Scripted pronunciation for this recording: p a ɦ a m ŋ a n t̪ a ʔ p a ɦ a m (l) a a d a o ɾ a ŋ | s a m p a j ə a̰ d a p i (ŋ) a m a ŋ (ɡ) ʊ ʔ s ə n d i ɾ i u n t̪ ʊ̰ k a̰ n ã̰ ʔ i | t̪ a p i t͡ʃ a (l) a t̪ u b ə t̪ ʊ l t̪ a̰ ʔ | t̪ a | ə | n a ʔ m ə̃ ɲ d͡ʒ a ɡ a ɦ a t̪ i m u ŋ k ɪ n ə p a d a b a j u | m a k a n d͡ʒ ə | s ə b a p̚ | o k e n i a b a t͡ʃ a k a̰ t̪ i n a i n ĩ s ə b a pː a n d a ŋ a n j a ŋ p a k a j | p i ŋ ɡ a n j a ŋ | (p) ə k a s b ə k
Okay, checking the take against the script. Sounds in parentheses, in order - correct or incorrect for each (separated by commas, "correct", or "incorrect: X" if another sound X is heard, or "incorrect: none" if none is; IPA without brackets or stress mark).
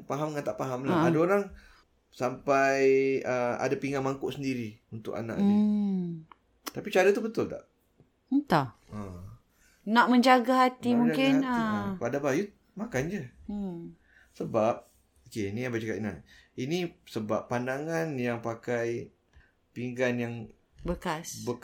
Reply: correct, correct, incorrect: k, incorrect: ɾ, incorrect: b